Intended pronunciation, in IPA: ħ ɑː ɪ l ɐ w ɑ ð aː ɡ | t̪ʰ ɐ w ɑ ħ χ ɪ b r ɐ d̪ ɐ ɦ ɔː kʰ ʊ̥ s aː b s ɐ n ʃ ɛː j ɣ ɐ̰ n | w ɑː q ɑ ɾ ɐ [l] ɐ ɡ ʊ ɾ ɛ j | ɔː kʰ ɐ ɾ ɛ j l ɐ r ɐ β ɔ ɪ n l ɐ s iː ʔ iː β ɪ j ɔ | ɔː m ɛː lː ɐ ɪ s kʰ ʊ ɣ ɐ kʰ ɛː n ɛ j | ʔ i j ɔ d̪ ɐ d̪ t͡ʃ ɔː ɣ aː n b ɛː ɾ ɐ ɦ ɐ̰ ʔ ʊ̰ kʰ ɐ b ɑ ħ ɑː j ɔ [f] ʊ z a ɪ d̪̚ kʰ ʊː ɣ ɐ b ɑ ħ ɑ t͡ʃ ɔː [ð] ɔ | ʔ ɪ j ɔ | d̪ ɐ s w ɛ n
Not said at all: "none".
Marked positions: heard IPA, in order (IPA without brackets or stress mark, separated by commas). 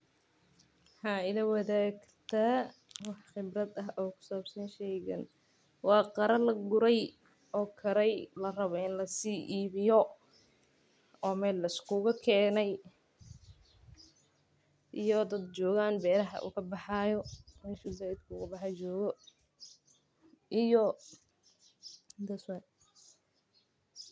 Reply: l, ʃ, ɣ